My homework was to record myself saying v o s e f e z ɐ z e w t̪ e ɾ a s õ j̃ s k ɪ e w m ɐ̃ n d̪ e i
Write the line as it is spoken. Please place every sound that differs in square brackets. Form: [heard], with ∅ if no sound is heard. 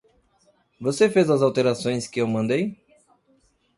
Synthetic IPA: v o s e f e z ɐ z [a] w t̪ e ɾ a s õ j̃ s k ɪ e w m ɐ̃ n d̪ e [j]